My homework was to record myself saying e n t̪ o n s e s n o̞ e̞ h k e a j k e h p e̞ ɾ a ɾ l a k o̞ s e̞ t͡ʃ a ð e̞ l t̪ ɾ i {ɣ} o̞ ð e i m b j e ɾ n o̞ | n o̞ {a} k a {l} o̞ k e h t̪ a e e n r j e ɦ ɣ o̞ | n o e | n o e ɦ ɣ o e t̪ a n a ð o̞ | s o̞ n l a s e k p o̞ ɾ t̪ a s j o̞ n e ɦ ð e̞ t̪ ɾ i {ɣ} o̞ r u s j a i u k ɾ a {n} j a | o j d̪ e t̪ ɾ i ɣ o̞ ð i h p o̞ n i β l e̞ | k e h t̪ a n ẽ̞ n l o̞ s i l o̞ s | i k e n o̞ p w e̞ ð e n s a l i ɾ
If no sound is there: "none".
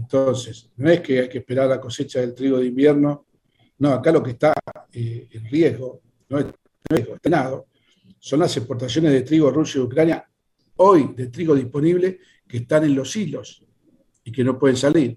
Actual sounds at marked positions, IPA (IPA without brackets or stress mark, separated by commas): ɣ, a, l, ɣ, n